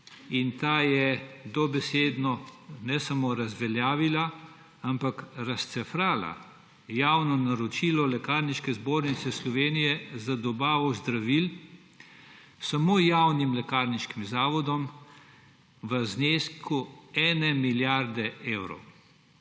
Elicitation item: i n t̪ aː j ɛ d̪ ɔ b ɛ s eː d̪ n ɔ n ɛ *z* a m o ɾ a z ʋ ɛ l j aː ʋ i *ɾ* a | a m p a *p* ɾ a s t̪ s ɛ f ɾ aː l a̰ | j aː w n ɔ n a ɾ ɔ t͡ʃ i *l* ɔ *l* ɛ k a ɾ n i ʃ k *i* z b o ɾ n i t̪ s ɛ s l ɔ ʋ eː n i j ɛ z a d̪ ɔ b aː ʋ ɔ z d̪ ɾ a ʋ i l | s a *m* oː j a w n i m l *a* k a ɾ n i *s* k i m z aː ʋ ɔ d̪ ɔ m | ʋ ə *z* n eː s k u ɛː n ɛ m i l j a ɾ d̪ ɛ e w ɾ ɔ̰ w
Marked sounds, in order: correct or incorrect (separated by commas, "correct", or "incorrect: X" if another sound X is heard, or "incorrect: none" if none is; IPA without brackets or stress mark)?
incorrect: s, incorrect: l, incorrect: k, correct, correct, incorrect: ɛ, correct, incorrect: ɛ, incorrect: ʃ, correct